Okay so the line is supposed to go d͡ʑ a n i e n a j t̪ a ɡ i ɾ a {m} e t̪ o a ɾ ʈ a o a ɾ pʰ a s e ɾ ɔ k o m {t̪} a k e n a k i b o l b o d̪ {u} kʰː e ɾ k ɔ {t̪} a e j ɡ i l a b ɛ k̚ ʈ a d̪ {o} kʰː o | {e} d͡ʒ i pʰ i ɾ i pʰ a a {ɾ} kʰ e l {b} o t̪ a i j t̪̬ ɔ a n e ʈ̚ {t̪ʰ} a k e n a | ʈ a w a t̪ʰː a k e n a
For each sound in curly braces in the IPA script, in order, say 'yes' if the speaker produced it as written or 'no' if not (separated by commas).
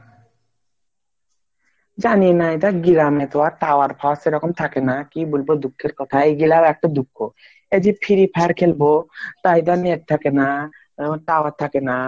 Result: yes, no, yes, no, no, yes, yes, yes, yes